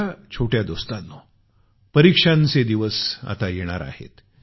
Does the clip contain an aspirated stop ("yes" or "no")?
yes